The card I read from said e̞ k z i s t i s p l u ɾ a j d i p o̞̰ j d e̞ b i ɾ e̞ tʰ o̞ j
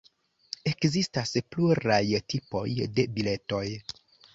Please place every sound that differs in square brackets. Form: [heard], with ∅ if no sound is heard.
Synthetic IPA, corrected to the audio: e̞ k z i s t [a] s p l u ɾ a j [t] i p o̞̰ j d e̞ b i [l] e̞ [t] o̞ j